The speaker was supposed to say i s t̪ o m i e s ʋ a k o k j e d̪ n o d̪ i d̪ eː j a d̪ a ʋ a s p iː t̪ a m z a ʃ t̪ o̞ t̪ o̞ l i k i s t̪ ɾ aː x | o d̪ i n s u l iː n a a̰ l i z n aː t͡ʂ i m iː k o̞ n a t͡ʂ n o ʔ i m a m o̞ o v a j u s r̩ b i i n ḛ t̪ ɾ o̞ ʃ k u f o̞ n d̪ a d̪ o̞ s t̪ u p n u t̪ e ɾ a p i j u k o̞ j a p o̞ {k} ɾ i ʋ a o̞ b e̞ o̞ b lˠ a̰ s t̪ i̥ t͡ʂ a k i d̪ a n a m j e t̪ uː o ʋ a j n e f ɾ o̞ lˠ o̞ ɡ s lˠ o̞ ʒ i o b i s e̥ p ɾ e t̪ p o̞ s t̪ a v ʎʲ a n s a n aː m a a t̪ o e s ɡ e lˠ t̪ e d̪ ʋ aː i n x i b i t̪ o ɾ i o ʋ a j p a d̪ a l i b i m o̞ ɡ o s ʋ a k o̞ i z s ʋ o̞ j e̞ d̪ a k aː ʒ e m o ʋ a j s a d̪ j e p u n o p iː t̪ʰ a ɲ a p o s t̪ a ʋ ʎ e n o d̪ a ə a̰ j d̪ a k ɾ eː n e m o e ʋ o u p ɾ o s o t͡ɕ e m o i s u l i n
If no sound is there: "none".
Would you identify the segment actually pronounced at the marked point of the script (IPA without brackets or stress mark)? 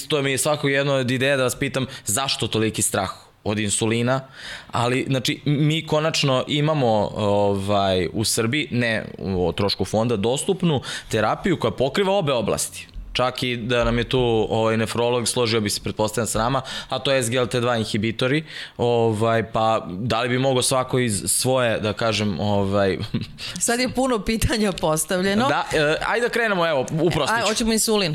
k